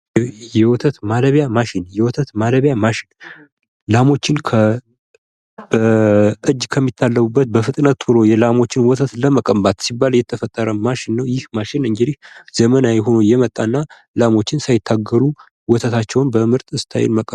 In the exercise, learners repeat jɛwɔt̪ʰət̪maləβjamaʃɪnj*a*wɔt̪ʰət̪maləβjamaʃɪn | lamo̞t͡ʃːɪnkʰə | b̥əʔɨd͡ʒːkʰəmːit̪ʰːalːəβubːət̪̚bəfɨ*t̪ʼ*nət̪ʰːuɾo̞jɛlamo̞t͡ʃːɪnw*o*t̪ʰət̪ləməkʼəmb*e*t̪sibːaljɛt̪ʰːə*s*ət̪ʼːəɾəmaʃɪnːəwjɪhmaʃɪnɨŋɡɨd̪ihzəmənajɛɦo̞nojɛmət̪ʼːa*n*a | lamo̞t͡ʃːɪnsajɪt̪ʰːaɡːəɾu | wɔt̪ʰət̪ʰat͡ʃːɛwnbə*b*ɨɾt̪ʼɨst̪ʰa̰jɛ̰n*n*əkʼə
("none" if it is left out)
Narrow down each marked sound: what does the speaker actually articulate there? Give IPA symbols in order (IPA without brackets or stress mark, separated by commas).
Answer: ɛ, t̪ʼ, ɔ, a, f, nː, m, m